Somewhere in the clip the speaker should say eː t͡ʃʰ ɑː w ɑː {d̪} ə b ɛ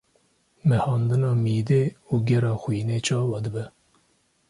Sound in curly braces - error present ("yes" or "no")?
no